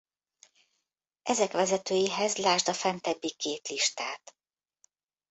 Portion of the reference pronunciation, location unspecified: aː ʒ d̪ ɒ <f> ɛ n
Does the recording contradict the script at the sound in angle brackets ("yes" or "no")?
no